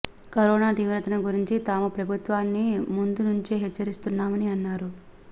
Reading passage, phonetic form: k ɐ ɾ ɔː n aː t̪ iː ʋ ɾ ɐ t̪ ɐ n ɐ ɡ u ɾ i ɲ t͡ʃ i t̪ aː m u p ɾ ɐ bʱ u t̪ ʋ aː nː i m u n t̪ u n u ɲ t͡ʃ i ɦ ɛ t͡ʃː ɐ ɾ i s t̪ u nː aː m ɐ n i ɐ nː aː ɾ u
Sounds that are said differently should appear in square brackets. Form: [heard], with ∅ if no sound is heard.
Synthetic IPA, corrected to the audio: k ɐ ɾ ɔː n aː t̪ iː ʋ ɾ ɐ t̪ ɐ n ɐ ɡ u ɾ i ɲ t͡ʃ i t̪ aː m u p ɾ ɐ bʱ u t̪ ʋ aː nː i m u n [d̪] u n u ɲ t͡ʃ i ɦ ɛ t͡ʃː ɐ ɾ i s t̪ u nː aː m ɐ n i ɐ nː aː ɾ u